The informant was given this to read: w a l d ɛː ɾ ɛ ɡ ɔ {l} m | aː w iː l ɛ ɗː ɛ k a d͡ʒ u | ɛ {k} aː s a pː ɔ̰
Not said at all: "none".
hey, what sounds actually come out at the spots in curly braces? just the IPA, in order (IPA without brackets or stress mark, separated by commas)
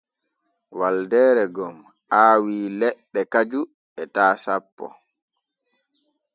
none, t